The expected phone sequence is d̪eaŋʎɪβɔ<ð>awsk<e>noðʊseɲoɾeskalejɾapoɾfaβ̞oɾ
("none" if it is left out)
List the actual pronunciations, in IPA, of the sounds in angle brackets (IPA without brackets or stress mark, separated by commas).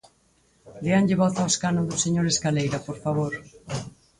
θ, a